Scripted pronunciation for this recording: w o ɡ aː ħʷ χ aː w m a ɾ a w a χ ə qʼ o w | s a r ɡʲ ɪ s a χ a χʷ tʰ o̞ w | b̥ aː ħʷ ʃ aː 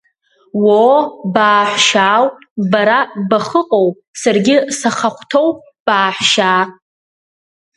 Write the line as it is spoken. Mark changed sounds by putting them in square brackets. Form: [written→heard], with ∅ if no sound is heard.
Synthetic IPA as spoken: w o [ɡ→b] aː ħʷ [χ→ʃ] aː w [m→b] a ɾ a [w→b] a χ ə qʼ o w | s a r ɡʲ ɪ s a χ a χʷ tʰ o̞ w | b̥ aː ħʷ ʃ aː